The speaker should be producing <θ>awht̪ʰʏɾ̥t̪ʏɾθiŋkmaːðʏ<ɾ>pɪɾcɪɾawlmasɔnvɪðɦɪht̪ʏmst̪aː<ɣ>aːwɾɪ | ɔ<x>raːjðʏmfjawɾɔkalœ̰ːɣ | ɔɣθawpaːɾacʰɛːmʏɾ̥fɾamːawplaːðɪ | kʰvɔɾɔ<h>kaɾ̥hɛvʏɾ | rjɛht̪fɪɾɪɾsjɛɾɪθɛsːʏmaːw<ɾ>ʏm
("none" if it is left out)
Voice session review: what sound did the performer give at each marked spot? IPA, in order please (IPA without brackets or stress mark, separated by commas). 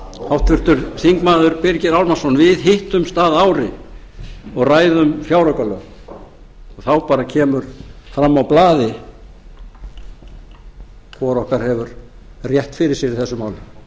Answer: h, ɾ, ð, ɣ, h, l